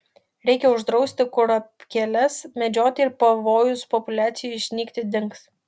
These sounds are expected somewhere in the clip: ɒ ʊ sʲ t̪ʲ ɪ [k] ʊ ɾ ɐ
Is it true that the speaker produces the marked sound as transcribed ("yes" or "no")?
yes